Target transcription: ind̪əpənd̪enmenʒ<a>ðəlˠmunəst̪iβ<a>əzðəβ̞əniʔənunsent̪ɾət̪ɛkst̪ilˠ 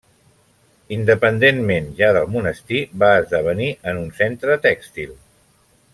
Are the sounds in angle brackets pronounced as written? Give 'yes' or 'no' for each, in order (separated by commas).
yes, yes